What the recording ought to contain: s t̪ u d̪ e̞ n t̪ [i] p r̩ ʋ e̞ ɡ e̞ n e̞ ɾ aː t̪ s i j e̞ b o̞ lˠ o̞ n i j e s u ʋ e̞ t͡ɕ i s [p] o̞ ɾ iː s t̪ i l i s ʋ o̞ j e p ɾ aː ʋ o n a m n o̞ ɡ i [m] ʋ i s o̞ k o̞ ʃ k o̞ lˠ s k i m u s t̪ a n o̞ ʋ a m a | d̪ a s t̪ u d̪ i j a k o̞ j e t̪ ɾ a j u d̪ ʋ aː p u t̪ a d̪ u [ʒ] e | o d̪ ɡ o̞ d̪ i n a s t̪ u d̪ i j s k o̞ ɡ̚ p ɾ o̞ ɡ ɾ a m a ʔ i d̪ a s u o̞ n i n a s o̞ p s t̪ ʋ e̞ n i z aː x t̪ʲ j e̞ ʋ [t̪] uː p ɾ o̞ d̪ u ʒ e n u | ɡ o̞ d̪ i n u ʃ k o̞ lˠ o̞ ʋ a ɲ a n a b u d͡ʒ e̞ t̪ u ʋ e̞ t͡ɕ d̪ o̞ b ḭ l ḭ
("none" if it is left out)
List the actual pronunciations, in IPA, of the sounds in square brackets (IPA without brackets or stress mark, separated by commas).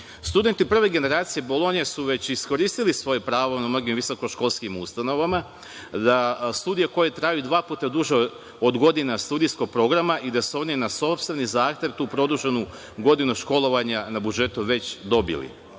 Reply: i, k, m, ʒ, t̪